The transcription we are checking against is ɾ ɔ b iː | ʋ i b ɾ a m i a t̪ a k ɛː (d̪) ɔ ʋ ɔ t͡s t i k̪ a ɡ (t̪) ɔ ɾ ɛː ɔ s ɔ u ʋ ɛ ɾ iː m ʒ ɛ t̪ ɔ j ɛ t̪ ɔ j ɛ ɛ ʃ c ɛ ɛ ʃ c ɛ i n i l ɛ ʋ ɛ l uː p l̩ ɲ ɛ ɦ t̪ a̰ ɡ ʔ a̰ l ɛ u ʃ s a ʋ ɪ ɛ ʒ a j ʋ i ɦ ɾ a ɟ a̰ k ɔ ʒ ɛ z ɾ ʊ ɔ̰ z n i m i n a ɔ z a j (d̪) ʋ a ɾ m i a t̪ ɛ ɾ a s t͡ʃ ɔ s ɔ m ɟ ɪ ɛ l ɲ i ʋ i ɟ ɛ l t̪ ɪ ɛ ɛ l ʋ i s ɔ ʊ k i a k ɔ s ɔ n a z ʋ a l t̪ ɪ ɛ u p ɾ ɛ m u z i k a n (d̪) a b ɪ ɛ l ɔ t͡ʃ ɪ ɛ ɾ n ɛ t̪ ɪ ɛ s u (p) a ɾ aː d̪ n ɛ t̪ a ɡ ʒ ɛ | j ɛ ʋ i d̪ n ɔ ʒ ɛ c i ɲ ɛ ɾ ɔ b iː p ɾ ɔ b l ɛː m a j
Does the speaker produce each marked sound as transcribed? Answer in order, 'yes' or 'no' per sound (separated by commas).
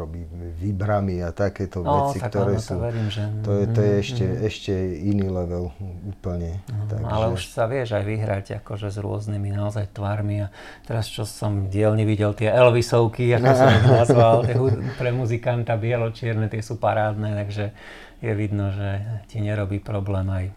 no, yes, no, no, yes